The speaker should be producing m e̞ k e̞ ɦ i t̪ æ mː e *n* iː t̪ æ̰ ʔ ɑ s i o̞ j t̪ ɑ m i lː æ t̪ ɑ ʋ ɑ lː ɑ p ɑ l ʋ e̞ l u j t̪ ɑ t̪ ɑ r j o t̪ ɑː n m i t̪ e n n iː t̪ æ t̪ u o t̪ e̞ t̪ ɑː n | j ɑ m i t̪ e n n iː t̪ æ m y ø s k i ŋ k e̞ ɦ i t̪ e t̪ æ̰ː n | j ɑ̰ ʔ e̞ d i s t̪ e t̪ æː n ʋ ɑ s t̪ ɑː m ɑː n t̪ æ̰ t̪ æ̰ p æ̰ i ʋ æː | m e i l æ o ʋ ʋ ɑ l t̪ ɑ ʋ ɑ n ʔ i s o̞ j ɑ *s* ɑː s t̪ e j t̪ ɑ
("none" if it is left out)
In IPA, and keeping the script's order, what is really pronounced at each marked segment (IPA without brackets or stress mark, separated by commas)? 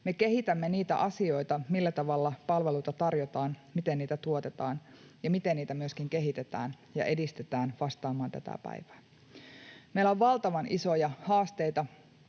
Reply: n, h